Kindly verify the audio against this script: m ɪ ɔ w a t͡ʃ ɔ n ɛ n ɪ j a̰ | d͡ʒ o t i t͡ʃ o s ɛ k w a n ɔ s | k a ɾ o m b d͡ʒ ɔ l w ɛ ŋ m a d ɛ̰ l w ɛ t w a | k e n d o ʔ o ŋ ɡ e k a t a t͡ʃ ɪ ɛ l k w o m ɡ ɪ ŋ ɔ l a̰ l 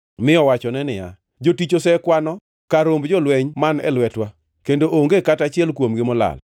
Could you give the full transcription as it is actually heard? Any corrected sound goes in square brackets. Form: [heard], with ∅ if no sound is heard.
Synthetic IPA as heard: m ɪ ɔ w a t͡ʃ ɔ n ɛ n ɪ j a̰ | d͡ʒ o t i t͡ʃ o s ɛ k w a n ɔ [∅] | k a ɾ o m b d͡ʒ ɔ l w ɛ [ɲ] m a [n] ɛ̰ l w ɛ t w a | k e n d o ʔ o ŋ ɡ e k a t a t͡ʃ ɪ ɛ l k w o m ɡ ɪ [m] ɔ l a̰ l

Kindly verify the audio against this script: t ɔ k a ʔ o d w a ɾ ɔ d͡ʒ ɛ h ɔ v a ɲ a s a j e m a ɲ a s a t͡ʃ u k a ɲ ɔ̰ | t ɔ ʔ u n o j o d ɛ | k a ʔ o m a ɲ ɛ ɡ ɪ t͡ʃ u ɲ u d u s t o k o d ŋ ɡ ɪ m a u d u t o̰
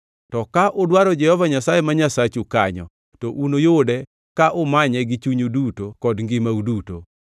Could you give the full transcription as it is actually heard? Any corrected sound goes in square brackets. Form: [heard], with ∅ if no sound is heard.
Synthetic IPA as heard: t ɔ k a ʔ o d w a ɾ ɔ d͡ʒ ɛ h ɔ v a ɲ a s a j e m a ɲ a s a t͡ʃ u k a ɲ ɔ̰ | t ɔ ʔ u n o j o d ɛ | k a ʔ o m a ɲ ɛ ɡ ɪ t͡ʃ u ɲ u d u [∅] t o k [ɔ] d ŋ ɡ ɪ m a u d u t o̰

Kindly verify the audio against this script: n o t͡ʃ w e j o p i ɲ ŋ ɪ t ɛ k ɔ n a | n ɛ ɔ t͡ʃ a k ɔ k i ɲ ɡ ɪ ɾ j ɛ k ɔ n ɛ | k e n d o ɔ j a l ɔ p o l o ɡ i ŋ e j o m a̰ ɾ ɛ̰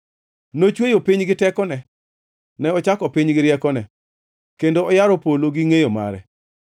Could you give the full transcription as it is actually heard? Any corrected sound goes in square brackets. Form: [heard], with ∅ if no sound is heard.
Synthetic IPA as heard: n o t͡ʃ w e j o p i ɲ [ɡ] ɪ t ɛ k ɔ n [ɛ] | n ɛ ɔ t͡ʃ a k ɔ [p] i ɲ ɡ ɪ ɾ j ɛ k ɔ n ɛ | k e n d o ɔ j a [ɾ] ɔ p o l o ɡ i ŋ e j o m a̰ ɾ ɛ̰

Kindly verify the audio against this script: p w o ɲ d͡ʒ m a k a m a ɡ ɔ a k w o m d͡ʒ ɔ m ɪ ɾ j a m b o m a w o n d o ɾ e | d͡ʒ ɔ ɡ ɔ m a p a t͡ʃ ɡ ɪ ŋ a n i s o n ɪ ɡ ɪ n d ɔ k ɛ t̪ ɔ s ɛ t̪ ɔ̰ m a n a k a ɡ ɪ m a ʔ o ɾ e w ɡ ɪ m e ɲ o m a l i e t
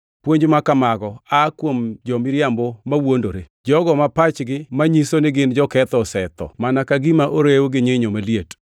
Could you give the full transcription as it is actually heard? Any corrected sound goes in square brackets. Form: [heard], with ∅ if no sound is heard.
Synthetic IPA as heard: p w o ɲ d͡ʒ m a k a m a ɡ ɔ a k w o m d͡ʒ ɔ m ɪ ɾ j a m b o m a w o n d o ɾ e | d͡ʒ ɔ ɡ ɔ m a p a t͡ʃ ɡ ɪ [m] a [ɲ] i s o n ɪ ɡ ɪ n [d͡ʒ] ɔ k ɛ t̪ ɔ s ɛ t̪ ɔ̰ m a n a k a ɡ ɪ m a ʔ o ɾ e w ɡ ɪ [ɲ] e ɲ o m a l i e t

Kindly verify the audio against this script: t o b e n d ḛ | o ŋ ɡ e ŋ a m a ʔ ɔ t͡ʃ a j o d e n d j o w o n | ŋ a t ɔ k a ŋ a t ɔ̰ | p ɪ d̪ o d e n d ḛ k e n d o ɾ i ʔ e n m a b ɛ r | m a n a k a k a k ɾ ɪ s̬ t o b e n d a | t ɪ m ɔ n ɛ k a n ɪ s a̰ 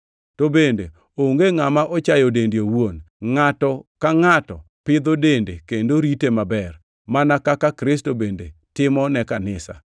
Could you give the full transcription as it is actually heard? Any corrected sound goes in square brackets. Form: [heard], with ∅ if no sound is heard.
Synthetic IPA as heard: t o b e n d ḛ | o ŋ ɡ e ŋ a m a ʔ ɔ t͡ʃ a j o d e n d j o w o n | ŋ a t ɔ k a ŋ a t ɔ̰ | p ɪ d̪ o d e n d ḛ k e n d o ɾ i [t] e [∅] m a b ɛ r | m a n a k a k a k ɾ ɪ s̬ t o b e n d [e] | t ɪ m ɔ n ɛ k a n ɪ s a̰

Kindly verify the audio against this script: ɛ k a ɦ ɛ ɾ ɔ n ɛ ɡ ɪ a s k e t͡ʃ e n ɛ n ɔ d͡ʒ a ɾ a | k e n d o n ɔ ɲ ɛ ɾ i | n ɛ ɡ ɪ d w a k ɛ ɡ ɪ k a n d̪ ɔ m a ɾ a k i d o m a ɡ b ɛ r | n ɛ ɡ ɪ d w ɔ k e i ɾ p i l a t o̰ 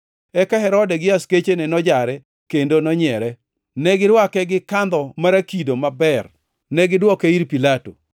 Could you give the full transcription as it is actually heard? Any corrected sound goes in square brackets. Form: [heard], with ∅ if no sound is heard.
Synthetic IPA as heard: ɛ k a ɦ ɛ ɾ ɔ [d] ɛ ɡ ɪ a s k e t͡ʃ e n ɛ n ɔ d͡ʒ a ɾ [ɛ] | k e n d o n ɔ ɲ ɛ ɾ [ɛ] | n ɛ ɡ ɪ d w a k ɛ ɡ ɪ k a n d̪ ɔ m a ɾ a k i d o m a [∅] b ɛ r | n ɛ ɡ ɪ d w ɔ k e i ɾ p i l a t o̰

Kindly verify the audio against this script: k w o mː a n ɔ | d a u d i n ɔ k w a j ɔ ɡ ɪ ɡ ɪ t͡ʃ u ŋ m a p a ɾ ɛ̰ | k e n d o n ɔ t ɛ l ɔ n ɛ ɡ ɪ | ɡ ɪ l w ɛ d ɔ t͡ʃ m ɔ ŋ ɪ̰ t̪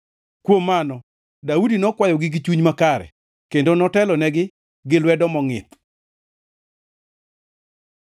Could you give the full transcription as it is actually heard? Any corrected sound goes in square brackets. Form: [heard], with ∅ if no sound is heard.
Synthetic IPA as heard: k w o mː a n ɔ | d a u d i n ɔ k w a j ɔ ɡ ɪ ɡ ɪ t͡ʃ u [ɲ] m a [k] a ɾ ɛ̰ | k e n d o n ɔ t ɛ l ɔ n ɛ ɡ ɪ | ɡ ɪ l w ɛ d ɔ [∅] m ɔ ŋ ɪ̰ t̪

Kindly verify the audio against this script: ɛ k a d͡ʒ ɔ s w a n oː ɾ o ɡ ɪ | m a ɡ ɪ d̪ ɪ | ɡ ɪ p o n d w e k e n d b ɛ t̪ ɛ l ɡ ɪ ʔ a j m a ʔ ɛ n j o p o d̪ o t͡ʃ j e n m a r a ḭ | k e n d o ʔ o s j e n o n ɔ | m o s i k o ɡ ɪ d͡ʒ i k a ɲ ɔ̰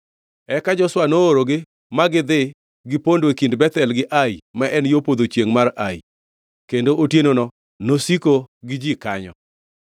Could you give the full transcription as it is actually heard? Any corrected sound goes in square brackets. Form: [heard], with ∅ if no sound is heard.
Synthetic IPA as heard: ɛ k a d͡ʒ ɔ s w a n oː ɾ o ɡ ɪ | m a ɡ ɪ d̪ ɪ | ɡ ɪ p o n d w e k [i] n d b ɛ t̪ ɛ l ɡ ɪ ʔ a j m a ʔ ɛ n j o p o d̪ o t͡ʃ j e [ŋ] m a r a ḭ | k e n d o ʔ o [t] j e n o n ɔ | [n] o s i k o ɡ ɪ d͡ʒ i k a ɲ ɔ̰

